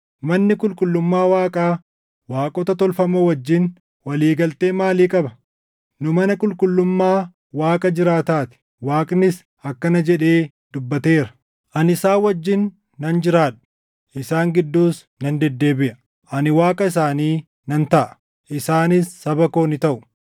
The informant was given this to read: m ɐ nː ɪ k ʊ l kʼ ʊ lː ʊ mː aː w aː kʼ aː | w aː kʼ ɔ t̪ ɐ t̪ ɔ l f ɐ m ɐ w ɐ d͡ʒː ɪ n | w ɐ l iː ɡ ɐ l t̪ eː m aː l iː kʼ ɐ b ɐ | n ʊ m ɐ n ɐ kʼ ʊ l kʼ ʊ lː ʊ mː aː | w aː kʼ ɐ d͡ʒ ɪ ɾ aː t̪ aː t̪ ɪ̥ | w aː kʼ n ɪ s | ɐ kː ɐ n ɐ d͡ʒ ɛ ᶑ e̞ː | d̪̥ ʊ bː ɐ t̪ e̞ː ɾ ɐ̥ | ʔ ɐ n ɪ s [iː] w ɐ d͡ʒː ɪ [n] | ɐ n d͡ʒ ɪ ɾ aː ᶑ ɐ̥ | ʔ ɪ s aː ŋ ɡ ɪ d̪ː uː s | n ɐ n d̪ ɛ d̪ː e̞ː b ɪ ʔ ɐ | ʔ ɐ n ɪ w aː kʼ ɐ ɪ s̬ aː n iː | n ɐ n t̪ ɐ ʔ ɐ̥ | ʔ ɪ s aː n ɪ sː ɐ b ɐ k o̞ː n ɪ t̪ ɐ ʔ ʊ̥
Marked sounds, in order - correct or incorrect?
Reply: incorrect: aː, incorrect: nː

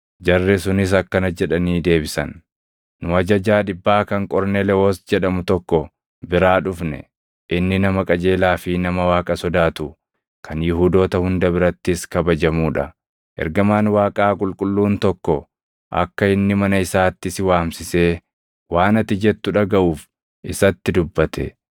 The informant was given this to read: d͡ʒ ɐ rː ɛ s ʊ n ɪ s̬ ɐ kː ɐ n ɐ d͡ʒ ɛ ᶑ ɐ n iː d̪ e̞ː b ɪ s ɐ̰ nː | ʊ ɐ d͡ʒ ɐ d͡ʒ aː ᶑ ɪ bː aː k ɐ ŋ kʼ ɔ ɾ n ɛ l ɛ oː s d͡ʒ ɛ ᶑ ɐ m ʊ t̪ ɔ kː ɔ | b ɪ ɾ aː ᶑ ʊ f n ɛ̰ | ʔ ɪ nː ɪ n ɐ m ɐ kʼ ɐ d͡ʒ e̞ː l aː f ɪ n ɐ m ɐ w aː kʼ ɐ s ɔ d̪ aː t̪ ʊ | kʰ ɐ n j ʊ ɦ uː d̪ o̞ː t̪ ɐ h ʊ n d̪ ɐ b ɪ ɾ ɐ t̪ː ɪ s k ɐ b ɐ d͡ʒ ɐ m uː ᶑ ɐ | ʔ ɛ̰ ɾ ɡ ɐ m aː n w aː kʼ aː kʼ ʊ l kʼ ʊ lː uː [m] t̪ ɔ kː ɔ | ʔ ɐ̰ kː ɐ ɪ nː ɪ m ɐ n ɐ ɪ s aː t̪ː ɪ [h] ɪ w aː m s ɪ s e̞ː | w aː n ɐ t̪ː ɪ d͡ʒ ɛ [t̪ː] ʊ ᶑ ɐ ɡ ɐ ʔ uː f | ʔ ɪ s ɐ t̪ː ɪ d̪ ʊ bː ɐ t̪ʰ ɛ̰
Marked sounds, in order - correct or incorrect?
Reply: incorrect: n, incorrect: s, correct

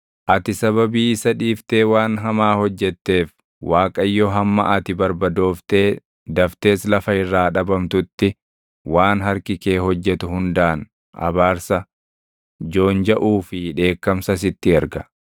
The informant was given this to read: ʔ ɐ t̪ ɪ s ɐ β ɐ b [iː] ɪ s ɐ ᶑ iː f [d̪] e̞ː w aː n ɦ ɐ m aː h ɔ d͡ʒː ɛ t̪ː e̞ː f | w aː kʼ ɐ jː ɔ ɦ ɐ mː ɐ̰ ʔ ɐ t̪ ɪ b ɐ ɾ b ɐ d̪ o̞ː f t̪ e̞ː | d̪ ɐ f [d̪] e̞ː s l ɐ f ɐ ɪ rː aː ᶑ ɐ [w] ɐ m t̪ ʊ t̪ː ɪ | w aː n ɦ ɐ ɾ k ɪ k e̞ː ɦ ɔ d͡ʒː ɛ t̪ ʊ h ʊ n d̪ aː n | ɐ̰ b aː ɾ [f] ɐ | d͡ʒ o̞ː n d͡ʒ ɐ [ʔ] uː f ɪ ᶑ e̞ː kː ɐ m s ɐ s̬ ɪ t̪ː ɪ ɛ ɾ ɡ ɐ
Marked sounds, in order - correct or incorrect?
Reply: correct, incorrect: t̪, incorrect: t̪, incorrect: b, incorrect: s, correct

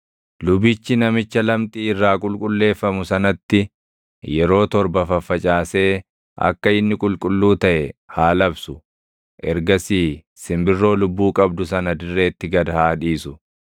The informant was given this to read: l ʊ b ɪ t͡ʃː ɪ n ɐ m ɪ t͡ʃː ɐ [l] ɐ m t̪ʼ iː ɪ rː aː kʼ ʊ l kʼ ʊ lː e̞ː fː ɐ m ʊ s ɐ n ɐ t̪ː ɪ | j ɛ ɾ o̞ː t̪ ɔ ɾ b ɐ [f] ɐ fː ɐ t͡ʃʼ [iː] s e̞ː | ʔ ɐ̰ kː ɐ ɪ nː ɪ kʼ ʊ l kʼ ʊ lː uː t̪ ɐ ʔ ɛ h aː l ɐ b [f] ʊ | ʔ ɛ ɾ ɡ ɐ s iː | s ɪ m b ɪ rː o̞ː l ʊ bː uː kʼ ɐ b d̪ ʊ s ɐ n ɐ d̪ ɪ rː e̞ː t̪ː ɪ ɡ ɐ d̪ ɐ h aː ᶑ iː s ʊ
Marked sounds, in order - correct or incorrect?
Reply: correct, correct, incorrect: aː, incorrect: s

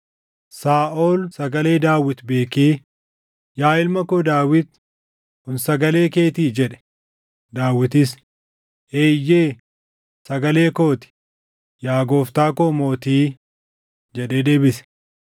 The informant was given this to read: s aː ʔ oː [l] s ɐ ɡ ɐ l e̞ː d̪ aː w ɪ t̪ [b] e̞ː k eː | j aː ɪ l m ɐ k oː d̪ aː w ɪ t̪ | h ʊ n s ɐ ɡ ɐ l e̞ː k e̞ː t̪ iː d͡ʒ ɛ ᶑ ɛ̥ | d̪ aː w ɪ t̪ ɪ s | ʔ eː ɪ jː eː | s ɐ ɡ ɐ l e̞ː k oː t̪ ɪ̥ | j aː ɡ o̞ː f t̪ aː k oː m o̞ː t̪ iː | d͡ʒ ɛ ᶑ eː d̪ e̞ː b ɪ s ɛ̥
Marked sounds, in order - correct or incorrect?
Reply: correct, correct

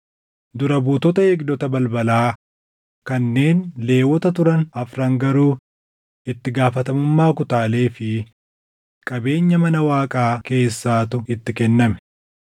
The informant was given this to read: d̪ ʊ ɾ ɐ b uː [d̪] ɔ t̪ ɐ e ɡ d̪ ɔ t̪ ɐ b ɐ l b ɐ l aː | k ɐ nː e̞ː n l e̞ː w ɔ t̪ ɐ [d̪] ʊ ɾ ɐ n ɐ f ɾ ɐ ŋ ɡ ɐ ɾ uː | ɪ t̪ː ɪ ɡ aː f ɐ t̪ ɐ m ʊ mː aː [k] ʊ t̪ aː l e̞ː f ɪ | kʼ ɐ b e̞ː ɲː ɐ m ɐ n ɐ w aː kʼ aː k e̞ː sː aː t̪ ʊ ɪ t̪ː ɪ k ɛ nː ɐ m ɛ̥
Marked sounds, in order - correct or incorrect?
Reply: incorrect: t̪, incorrect: t̪, correct

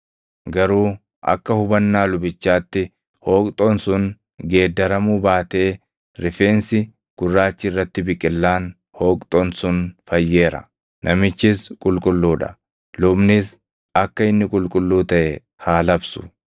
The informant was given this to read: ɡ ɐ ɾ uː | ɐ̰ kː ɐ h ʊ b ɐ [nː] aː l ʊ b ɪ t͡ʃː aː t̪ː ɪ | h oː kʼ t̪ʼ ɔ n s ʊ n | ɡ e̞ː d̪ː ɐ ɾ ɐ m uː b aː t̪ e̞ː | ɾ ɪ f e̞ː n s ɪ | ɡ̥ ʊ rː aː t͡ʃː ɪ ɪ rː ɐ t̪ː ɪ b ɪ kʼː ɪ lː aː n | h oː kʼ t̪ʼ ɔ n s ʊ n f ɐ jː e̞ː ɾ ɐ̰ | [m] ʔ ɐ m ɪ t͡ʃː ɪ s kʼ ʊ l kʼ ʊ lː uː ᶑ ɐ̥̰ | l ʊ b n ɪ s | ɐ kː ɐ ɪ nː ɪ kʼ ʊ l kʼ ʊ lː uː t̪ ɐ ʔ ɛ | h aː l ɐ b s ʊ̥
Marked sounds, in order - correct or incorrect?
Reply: correct, incorrect: n

